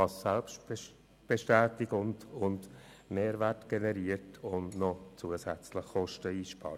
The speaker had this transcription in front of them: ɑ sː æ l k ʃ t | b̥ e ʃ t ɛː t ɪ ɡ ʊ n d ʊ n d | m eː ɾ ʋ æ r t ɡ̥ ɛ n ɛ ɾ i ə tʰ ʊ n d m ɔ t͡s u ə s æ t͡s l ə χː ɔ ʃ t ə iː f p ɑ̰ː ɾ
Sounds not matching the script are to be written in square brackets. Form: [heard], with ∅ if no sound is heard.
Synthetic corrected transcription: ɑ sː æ l [p] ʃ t | b̥ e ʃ t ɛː t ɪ ɡ ʊ n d ʊ n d | m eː ɾ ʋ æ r t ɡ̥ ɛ n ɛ ɾ i ə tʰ ʊ n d [n] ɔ t͡s u ə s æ t͡s l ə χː ɔ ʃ t ə iː [ʃ] p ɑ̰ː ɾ

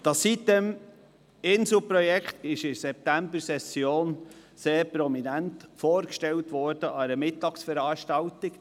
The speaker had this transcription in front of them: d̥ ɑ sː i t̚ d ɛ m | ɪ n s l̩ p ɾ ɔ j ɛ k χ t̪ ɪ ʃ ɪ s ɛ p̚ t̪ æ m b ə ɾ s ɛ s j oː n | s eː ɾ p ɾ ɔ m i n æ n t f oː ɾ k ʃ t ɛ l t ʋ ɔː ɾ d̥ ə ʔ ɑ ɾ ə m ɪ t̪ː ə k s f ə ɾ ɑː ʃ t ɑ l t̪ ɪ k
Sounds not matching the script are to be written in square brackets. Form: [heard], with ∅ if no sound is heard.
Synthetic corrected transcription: d̥ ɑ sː i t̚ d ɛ m | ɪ n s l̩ p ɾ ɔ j ɛ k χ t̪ ɪ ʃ ɪ s ɛ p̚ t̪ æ m b ə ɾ s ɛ s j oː n | s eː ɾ p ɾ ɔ m i n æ n t f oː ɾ k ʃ t ɛ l t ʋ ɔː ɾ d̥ ə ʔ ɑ ɾ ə m ɪ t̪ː [ɑ] k s f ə ɾ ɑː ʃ t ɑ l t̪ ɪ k

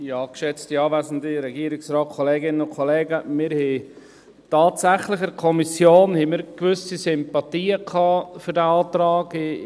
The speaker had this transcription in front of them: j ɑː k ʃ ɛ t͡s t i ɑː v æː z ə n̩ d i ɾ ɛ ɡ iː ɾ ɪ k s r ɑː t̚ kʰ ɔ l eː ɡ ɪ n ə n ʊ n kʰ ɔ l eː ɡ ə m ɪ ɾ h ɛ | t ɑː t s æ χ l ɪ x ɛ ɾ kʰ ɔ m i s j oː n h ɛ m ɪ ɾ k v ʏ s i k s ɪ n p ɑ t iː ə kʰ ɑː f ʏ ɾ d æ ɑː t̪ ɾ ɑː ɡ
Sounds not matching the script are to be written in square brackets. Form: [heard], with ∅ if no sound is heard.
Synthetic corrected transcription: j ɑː k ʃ ɛ t͡s t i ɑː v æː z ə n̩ d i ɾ ɛ ɡ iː ɾ ɪ k s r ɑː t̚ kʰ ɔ l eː ɡ ɪ n ə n ʊ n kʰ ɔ l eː ɡ ə m ɪ ɾ h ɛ | t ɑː t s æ χ l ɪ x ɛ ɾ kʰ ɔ m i s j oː n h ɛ m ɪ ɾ k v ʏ s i [∅] s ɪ [m] p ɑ t iː ə kʰ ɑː f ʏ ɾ d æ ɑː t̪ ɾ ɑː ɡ

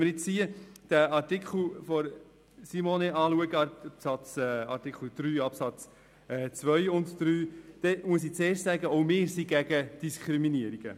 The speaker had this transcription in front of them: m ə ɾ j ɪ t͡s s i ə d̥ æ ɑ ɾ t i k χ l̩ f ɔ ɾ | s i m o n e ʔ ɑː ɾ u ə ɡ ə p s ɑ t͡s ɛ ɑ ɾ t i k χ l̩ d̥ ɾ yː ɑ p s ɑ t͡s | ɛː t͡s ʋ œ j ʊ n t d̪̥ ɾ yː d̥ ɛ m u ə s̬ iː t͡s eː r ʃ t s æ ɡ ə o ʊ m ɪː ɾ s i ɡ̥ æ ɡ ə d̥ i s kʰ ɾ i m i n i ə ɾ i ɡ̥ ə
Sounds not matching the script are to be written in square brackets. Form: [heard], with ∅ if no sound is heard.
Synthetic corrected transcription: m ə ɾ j ɪ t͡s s i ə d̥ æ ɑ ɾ t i k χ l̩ f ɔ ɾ | s i m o n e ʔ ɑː [l] u ə ɡ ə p s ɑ t͡s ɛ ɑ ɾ t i k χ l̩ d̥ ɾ yː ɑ p s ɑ t͡s | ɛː t͡s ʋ œ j ʊ n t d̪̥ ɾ yː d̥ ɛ m u ə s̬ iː t͡s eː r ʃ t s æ ɡ ə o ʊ m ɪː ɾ s i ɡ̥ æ ɡ ə d̥ i s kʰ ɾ i m i n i ə ɾ i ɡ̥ ə

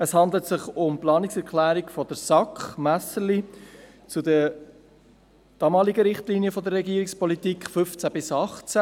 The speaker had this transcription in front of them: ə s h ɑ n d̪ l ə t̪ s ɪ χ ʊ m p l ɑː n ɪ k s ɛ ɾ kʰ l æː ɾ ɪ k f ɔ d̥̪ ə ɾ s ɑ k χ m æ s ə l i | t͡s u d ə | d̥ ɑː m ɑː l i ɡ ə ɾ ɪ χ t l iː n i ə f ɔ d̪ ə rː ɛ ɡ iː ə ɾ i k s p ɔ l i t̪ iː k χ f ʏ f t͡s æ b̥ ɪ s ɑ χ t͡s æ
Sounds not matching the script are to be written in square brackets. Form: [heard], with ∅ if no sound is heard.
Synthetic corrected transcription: ə s h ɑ n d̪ l ə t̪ s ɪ χ ʊ m p l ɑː n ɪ k s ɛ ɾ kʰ l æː ɾ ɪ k f ɔ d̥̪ ə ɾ s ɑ k χ m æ s ə l i | t͡s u d ə | d̥ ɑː m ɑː l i ɡ ə ɾ ɪ χ t l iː n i ə f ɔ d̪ ə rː ɛ ɡ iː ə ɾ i k s p ɔ l i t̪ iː k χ f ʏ f t͡s æ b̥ ɪ s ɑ χ t͡s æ

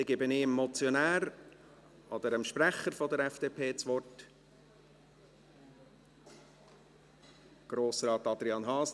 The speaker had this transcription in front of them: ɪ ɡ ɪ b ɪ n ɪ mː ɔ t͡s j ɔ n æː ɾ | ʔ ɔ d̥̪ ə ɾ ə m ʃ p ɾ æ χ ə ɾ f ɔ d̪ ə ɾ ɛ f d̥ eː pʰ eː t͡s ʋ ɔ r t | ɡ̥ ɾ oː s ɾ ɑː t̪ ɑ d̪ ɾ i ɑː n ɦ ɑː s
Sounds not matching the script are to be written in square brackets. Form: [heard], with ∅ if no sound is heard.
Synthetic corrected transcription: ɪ ɡ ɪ b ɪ n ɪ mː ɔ t͡s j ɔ n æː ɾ | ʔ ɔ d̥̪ ə ɾ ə m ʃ p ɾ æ χ ə ɾ f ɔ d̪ ə ɾ ɛ f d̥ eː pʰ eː t͡s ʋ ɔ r t | ɡ̥ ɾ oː s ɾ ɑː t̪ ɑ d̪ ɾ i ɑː n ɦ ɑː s

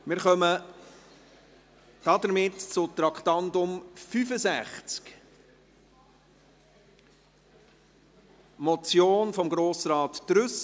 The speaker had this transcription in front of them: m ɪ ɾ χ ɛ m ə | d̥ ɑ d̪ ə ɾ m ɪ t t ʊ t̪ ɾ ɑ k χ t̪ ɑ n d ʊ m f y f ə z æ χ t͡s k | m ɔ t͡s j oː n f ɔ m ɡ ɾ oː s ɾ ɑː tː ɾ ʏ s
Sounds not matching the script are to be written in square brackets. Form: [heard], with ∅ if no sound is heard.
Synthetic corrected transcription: m ɪ ɾ χ [œ] m ə | d̥ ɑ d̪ ə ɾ m ɪ t [t͡s] ʊ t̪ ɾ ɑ k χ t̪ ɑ n d ʊ m f y f ə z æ χ t͡s k | m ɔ t͡s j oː n f ɔ m ɡ ɾ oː s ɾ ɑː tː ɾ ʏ s

